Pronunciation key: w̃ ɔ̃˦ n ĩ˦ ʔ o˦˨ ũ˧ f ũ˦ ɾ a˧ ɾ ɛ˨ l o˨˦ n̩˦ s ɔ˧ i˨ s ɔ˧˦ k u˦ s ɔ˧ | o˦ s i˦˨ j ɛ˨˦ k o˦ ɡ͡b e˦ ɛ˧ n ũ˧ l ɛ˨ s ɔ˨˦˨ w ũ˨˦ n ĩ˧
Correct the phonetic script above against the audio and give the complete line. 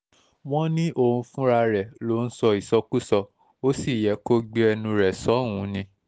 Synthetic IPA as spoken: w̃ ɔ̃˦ n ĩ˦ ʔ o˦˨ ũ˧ f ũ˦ ɾ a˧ ɾ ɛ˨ l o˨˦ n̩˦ s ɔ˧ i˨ s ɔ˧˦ k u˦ s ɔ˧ | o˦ s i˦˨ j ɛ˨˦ k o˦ ɡ͡b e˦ ɛ˧ n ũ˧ ɾ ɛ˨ s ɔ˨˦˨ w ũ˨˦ n ĩ˧